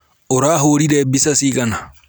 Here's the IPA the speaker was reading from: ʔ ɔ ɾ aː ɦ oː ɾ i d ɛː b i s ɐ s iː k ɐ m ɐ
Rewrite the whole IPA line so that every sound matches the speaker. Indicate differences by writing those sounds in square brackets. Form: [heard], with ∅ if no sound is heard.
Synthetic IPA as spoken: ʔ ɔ ɾ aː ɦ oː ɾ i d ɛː b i s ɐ s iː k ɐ [n] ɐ